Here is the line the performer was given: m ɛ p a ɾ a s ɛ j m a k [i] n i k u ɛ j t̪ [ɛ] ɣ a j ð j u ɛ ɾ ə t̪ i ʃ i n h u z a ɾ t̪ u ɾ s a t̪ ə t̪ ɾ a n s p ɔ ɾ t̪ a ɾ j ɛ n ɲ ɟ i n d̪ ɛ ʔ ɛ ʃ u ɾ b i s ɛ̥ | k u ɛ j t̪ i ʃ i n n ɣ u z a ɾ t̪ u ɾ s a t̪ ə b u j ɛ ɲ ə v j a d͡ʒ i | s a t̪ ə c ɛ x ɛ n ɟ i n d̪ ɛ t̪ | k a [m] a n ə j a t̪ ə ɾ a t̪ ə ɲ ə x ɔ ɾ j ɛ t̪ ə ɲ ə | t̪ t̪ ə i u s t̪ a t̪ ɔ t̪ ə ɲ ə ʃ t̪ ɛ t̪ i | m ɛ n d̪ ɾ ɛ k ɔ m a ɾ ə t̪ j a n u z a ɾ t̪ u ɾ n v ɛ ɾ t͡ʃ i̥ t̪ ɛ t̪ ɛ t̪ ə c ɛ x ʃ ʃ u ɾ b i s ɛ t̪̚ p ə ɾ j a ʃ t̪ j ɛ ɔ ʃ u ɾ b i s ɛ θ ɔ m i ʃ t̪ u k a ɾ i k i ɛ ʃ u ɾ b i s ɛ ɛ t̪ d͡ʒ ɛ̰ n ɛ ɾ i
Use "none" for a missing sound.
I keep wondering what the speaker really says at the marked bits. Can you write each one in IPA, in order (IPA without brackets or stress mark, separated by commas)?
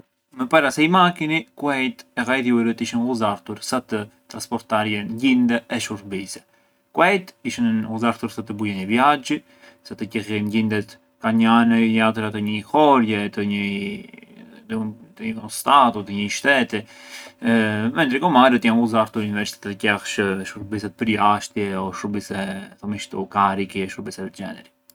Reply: i, ɛ, ɲ